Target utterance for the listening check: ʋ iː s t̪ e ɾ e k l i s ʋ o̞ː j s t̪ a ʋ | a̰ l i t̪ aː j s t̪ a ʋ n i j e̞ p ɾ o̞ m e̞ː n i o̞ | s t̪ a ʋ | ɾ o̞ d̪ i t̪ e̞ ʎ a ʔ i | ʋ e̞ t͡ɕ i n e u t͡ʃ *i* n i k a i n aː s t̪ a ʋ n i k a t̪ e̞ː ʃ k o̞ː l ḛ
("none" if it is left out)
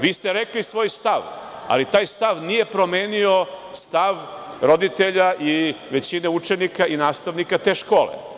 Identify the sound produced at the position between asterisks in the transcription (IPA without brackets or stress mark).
e